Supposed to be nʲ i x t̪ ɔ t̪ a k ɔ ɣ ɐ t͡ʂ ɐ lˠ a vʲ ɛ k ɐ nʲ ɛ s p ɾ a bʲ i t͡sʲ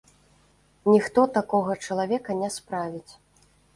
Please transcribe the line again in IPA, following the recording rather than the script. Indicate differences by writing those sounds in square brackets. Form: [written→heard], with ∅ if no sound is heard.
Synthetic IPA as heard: nʲ i x t̪ ɔ t̪ a k ɔ ɣ ɐ t͡ʂ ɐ lˠ a vʲ ɛ k ɐ nʲ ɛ s p ɾ a [bʲ→vʲ] i t͡sʲ